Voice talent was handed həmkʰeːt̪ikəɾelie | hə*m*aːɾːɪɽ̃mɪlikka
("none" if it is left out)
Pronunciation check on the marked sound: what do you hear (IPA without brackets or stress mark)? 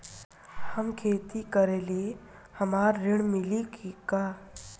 m